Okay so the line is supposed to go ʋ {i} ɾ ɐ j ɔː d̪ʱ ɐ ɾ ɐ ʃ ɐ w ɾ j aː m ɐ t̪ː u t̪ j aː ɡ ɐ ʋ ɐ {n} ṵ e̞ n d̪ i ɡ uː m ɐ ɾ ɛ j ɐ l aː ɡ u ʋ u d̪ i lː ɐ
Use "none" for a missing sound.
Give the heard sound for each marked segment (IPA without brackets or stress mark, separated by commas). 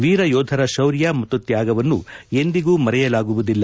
iː, nː